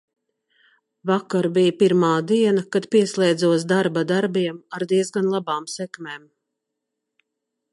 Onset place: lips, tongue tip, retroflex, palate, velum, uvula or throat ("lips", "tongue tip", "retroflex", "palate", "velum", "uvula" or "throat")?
lips